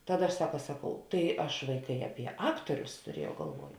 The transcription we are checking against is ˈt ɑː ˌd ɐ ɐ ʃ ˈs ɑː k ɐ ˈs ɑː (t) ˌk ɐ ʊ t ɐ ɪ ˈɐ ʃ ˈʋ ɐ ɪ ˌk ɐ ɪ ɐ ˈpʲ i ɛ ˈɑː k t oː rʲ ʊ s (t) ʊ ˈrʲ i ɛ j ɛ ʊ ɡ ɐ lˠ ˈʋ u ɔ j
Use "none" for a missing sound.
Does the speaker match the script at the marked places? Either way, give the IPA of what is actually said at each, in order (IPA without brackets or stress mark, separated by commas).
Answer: none, t